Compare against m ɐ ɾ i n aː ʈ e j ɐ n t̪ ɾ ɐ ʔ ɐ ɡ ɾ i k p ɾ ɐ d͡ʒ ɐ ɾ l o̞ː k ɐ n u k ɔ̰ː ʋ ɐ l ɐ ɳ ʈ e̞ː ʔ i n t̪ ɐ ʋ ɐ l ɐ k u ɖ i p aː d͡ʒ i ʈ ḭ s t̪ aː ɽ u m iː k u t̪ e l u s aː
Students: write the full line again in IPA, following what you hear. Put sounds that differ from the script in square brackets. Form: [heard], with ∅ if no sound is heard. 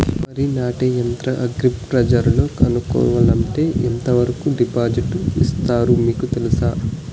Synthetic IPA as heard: m ɐ ɾ i n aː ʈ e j ɐ n t̪ ɾ ɐ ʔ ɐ ɡ ɾ i [p] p ɾ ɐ d͡ʒ ɐ ɾ l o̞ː k ɐ n u k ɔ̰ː ʋ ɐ l ɐ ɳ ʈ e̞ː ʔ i n t̪ ɐ ʋ ɐ [ɾ] ɐ k u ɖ i p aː d͡ʒ i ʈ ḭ s t̪ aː [ɾ] u m iː k u t̪ e l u s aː